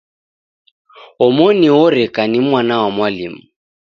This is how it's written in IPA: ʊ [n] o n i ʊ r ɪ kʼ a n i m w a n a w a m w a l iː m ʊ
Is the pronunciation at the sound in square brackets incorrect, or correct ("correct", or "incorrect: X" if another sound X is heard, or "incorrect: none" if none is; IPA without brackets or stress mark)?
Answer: incorrect: m